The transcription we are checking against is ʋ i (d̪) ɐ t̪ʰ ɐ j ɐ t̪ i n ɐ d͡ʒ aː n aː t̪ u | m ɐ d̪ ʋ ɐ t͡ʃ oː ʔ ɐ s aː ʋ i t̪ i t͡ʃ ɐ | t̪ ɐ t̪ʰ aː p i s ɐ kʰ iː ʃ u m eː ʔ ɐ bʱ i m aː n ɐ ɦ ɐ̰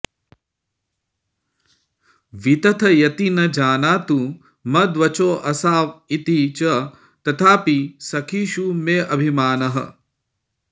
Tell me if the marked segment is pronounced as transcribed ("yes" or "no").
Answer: no